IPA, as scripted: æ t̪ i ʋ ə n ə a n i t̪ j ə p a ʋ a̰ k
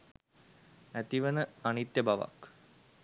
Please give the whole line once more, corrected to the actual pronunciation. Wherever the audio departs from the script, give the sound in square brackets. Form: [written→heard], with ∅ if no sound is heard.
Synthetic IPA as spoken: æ t̪ i ʋ ə n ə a n i t̪ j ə [p→b] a ʋ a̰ k